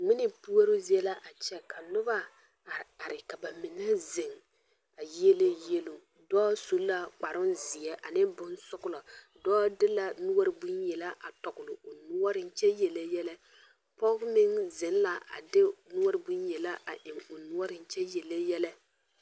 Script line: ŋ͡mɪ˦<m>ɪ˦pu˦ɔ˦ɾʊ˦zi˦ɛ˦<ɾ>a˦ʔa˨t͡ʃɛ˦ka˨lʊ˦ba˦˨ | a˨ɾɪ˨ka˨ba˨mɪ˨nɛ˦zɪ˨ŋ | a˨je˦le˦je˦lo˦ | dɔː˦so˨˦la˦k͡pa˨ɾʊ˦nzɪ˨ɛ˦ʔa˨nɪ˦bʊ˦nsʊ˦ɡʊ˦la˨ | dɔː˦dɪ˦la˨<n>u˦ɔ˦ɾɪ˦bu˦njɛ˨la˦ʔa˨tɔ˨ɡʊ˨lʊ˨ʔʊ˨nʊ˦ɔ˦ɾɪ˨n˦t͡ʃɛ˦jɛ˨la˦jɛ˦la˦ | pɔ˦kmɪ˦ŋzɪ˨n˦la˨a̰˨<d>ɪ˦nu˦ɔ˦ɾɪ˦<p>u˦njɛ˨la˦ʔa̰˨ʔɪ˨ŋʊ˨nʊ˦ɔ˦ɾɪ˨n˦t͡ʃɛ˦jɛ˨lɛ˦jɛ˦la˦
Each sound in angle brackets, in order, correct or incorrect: incorrect: n, incorrect: l, correct, correct, incorrect: b

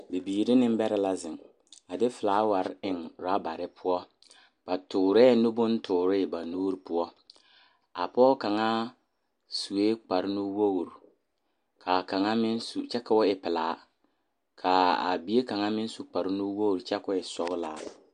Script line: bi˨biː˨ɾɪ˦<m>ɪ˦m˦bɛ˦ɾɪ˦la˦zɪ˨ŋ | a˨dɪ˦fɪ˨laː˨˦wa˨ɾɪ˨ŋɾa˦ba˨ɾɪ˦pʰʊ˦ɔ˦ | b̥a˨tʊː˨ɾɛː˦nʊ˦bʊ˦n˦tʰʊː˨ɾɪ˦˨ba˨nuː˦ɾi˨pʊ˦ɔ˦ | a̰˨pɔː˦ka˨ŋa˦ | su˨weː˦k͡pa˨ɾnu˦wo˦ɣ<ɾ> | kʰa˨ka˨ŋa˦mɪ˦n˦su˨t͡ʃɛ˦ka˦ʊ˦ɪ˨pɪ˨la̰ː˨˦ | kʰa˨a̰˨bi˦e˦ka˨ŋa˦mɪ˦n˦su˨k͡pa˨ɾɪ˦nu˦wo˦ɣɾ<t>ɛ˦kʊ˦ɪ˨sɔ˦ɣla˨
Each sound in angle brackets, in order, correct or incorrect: incorrect: n, correct, incorrect: t͡ʃ

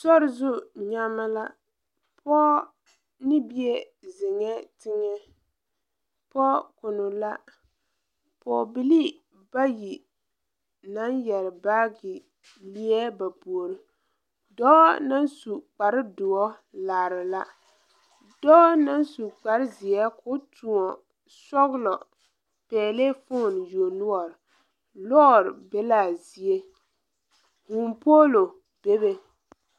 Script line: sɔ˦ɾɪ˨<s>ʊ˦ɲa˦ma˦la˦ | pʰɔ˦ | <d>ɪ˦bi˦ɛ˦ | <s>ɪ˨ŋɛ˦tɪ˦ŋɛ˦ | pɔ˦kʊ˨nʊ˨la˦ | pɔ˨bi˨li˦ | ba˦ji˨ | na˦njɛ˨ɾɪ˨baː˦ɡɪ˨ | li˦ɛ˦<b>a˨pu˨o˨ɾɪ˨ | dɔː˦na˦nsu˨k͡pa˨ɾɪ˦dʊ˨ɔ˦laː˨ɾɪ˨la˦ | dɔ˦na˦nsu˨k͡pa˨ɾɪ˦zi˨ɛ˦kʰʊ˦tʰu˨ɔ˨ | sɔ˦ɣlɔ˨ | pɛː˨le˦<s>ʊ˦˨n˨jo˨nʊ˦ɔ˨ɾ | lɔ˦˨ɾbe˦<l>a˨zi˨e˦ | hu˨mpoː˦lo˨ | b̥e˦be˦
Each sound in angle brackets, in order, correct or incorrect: incorrect: z, incorrect: n, incorrect: z, correct, incorrect: f, correct

